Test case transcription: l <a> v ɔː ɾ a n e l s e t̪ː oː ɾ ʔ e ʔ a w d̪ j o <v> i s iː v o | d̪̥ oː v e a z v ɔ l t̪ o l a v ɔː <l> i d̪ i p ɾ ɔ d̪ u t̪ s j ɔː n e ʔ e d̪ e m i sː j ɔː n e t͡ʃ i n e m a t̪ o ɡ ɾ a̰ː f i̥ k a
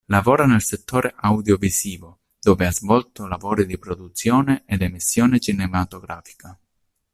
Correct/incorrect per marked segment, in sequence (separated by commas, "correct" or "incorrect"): correct, correct, incorrect